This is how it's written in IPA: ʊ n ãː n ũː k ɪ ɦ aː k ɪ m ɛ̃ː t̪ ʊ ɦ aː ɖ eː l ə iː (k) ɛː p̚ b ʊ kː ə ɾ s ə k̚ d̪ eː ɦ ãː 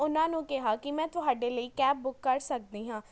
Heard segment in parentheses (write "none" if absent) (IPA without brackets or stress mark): k